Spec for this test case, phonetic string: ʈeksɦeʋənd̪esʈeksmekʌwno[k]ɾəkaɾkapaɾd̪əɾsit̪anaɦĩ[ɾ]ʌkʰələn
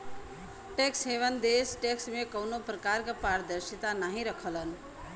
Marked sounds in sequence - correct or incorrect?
incorrect: p, correct

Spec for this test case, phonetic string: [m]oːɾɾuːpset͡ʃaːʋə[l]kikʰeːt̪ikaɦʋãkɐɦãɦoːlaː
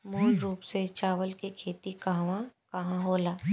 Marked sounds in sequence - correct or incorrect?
correct, correct

